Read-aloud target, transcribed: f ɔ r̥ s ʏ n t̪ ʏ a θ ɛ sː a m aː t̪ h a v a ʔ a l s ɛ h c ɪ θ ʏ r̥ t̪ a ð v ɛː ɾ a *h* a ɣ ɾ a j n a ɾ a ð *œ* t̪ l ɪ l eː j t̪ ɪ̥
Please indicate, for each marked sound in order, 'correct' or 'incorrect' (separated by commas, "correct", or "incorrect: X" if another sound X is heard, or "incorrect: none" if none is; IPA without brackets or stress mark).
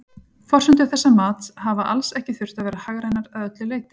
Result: correct, correct